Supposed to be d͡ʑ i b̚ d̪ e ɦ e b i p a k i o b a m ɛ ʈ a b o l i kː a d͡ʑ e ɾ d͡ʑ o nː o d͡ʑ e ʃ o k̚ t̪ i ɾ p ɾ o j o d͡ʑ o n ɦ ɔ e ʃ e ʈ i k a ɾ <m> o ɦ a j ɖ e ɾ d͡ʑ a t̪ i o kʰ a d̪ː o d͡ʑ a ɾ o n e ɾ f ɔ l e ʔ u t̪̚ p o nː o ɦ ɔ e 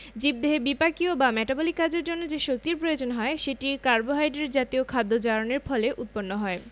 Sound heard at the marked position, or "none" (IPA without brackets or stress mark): b